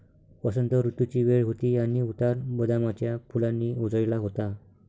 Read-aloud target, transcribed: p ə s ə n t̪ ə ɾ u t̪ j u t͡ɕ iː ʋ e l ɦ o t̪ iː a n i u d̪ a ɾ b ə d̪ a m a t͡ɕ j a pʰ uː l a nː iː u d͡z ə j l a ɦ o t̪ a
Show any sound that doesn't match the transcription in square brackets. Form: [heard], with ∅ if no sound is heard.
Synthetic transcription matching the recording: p ə s ə n t̪ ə ɾ u t̪ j u t͡ɕ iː ʋ e [ɭ] ɦ o t̪ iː a n i u [t̪] a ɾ b ə d̪ a m a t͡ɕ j a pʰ [u] l a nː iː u d͡z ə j l a ɦ o t̪ a